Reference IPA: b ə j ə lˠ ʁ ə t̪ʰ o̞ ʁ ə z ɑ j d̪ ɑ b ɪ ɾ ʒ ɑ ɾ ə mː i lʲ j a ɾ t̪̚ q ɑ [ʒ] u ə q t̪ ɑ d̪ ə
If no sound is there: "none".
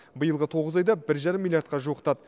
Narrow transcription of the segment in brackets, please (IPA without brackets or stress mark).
ʒ